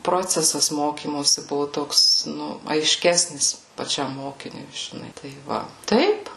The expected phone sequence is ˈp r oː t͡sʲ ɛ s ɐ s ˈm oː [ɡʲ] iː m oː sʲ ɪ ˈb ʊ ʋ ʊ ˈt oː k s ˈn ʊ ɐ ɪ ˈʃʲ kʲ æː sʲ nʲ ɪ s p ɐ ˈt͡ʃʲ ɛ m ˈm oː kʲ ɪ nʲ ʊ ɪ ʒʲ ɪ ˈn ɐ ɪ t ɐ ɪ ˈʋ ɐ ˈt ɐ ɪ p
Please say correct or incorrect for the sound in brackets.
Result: incorrect